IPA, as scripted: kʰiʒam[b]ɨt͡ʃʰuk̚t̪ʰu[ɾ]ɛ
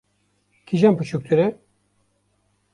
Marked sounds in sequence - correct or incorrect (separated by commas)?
incorrect, correct